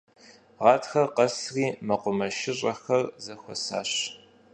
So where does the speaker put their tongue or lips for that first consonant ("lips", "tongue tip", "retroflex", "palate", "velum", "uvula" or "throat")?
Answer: uvula